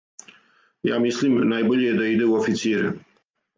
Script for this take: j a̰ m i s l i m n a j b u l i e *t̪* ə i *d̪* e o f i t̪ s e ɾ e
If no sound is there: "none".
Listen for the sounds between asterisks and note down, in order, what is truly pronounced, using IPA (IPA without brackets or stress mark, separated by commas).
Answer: d̪, d̪